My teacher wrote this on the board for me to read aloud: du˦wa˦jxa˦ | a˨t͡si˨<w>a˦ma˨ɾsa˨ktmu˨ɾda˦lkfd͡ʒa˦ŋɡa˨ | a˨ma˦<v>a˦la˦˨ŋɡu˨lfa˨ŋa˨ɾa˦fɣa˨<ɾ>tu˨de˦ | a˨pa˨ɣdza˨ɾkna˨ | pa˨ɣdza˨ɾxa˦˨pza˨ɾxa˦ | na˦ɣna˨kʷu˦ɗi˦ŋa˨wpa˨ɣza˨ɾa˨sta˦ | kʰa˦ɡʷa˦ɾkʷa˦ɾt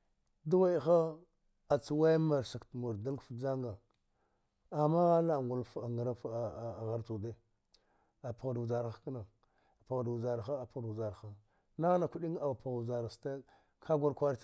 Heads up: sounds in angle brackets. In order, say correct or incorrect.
correct, incorrect: ɣ, correct

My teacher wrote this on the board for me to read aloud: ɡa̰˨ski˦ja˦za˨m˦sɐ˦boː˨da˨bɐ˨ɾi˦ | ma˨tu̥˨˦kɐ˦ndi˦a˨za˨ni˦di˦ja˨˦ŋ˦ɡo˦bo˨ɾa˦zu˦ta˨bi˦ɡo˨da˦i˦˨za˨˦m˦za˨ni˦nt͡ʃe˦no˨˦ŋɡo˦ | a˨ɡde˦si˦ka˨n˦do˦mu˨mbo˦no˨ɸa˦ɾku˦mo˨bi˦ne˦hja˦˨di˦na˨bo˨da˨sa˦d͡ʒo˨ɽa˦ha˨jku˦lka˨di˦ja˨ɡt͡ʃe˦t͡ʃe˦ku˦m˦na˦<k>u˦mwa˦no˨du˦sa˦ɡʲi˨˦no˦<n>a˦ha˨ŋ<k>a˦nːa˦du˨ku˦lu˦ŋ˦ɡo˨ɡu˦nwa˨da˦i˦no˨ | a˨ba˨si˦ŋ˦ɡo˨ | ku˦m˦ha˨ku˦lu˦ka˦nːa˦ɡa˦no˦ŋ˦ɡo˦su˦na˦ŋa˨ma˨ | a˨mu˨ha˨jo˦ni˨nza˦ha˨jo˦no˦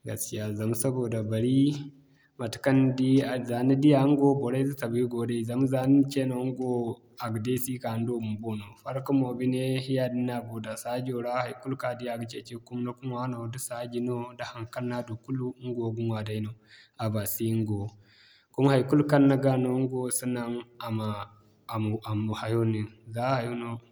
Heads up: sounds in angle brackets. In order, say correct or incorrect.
correct, incorrect: d, correct

